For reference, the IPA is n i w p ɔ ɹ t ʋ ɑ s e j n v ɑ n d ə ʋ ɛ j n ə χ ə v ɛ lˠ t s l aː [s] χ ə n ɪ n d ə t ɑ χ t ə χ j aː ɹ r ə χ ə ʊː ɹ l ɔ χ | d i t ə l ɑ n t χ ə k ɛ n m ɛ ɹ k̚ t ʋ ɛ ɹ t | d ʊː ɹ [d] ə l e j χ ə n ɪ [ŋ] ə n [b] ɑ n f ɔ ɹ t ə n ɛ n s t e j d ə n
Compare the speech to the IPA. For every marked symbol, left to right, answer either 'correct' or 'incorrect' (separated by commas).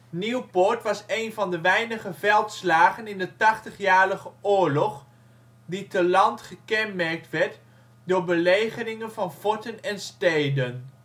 incorrect, incorrect, correct, incorrect